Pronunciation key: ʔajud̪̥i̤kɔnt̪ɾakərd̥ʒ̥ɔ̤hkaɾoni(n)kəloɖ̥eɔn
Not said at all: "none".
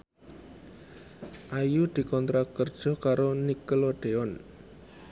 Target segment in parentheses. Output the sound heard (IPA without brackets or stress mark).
none